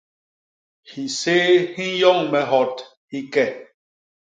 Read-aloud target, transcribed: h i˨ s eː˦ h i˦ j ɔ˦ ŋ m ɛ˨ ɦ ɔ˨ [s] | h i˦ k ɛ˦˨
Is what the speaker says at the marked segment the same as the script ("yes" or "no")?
no